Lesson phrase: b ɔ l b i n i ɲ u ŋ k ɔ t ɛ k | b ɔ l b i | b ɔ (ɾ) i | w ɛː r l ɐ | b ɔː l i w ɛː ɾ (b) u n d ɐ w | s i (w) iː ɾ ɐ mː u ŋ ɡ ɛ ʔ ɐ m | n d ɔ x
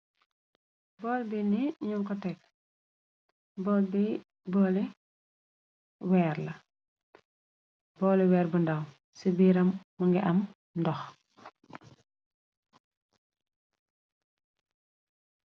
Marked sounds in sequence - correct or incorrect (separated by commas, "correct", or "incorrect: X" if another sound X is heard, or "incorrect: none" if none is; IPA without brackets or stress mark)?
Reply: incorrect: l, correct, incorrect: b